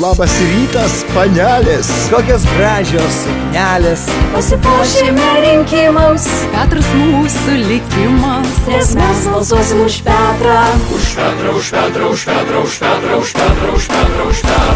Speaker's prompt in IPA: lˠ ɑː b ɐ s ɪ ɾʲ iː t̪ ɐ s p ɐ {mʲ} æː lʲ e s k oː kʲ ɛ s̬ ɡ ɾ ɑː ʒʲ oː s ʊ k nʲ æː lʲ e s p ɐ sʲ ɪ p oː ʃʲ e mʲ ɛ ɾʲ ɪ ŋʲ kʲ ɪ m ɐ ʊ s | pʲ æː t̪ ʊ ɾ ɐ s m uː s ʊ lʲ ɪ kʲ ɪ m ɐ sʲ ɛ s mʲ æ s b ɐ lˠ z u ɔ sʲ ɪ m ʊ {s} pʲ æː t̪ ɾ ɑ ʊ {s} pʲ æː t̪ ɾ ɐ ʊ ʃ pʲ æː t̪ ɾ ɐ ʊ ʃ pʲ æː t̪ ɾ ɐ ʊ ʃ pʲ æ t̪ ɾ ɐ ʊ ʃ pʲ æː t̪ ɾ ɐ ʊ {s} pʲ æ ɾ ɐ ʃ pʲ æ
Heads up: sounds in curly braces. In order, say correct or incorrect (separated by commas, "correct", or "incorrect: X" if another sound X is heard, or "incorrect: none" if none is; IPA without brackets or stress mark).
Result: incorrect: nʲ, incorrect: ʃ, incorrect: ʃ, incorrect: ʃ